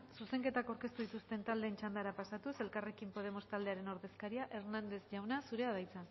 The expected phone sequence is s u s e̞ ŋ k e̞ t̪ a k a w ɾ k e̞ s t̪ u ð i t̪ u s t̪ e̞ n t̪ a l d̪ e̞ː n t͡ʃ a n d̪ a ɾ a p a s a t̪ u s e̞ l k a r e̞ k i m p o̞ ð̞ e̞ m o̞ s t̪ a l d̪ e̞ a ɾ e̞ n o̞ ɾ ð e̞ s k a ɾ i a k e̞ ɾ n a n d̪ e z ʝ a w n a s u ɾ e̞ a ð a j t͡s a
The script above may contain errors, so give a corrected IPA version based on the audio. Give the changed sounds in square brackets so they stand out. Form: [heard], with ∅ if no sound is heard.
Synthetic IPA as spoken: s u s e̞ ŋ k e̞ t̪ a k a w ɾ k e̞ s t̪ u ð i t̪ u s t̪ e̞ n t̪ a l d̪ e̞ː n t͡ʃ a n d̪ a ɾ a p a s a t̪ u s e̞ l k a r e̞ k i m p o̞ ð̞ e̞ m o̞ s t̪ a l d̪ e̞ a ɾ e̞ n o̞ ɾ ð e̞ s k a ɾ i a [ʔ] e̞ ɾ n a n d̪ e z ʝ a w n a s u ɾ e̞ a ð a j t͡s a